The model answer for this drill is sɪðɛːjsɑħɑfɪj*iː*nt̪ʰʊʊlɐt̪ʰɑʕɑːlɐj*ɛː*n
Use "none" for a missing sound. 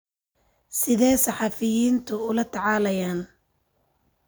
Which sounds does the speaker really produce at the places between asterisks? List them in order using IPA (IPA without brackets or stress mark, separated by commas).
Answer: iː, aː